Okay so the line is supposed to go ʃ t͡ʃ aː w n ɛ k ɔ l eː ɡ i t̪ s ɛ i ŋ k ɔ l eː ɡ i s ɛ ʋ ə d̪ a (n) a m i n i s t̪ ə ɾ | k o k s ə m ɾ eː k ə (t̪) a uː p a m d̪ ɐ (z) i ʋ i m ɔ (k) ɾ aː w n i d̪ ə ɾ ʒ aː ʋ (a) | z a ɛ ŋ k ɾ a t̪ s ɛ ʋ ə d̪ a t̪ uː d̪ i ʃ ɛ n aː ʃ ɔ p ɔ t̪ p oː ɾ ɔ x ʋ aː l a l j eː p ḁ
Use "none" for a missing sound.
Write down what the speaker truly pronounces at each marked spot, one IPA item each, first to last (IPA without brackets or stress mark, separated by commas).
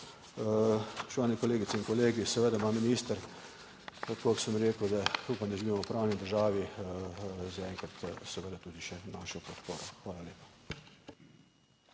m, d̪, ʒ, p, i